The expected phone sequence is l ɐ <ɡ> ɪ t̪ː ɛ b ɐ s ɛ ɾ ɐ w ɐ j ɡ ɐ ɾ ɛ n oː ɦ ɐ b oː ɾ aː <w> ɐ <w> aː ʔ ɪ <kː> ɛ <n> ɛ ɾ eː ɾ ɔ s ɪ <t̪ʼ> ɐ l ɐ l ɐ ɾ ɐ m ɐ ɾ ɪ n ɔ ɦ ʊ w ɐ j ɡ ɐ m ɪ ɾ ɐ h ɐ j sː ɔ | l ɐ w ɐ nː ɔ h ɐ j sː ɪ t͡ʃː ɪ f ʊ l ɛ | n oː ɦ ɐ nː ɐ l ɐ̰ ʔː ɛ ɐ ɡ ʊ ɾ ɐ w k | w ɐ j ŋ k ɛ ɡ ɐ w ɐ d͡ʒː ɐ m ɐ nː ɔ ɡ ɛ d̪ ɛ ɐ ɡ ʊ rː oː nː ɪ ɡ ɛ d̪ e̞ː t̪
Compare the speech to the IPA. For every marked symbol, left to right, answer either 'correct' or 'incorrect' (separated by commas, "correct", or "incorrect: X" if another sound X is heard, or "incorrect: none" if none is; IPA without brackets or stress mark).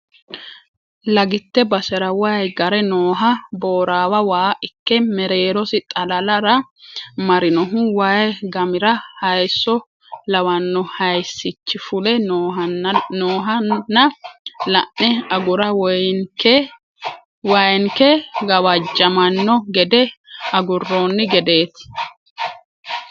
correct, correct, correct, correct, incorrect: m, correct